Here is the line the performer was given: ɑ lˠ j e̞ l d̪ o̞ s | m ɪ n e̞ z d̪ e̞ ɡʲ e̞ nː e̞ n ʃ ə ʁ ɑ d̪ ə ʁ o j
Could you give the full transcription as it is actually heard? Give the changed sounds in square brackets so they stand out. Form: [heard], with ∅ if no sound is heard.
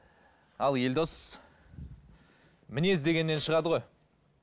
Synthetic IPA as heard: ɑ lˠ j e̞ l d̪ o̞ s | m ɪ n e̞ z d̪ e̞ ɡʲ e̞ nː e̞ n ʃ ə ʁ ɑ d̪ ə ʁ o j